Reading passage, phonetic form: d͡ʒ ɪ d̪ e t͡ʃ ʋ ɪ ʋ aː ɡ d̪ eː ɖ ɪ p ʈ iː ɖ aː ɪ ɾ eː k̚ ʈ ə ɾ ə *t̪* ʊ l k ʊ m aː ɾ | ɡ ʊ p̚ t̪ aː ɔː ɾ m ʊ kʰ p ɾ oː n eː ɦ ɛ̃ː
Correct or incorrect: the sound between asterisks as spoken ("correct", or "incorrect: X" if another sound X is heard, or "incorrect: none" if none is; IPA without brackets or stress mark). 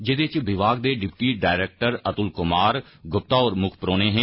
correct